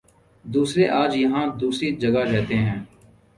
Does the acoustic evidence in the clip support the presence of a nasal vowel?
yes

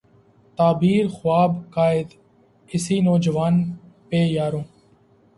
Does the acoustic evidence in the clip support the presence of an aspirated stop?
no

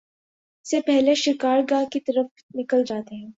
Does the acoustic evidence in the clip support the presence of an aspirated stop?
no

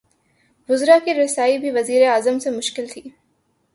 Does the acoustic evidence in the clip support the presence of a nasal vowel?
no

